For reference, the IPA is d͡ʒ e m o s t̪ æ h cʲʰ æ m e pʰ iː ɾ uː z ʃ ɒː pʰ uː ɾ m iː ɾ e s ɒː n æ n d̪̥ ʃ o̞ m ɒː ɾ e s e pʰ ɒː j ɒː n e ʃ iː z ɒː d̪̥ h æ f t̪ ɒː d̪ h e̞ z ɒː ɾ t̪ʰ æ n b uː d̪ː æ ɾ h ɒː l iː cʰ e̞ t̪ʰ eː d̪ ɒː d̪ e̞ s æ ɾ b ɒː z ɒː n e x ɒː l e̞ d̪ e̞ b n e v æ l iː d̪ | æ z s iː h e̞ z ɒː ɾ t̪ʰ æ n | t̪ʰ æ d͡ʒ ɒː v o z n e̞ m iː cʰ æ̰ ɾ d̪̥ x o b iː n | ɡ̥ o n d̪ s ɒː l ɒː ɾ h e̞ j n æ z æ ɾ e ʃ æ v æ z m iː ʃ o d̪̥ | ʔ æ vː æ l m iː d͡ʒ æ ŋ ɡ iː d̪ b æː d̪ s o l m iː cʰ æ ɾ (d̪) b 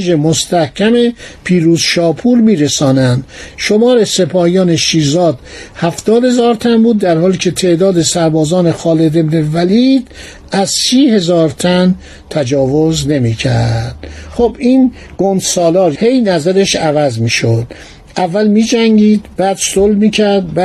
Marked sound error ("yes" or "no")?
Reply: no